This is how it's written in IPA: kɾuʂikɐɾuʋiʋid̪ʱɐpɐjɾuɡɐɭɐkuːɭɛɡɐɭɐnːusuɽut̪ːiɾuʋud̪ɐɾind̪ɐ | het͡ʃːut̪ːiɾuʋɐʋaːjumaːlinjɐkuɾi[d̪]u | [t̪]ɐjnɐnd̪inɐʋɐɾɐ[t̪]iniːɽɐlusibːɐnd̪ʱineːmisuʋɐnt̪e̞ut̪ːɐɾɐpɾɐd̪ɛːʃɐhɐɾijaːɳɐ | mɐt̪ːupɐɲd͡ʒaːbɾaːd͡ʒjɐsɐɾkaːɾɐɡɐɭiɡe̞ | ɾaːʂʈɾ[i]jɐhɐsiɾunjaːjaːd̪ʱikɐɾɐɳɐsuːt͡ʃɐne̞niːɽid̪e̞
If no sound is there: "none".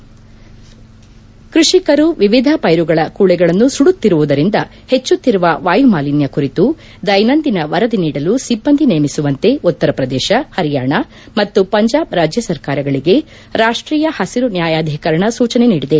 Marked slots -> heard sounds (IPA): t̪, d̪, d̪, iː

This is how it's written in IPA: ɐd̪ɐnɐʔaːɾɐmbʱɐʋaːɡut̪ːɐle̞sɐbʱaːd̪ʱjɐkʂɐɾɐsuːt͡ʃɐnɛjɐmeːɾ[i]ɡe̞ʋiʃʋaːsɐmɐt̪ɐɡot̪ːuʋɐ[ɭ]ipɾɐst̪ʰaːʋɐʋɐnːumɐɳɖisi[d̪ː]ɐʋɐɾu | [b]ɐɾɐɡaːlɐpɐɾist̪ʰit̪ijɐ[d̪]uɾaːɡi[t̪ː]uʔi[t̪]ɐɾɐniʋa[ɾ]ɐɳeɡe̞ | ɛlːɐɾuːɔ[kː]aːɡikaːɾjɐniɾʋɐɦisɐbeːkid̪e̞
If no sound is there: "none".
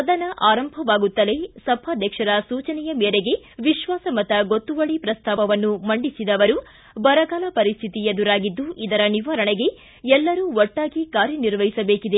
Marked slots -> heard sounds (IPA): e, ɭ, d̪, b, d̪, d̪ː, d̪, ɾ, ʈː

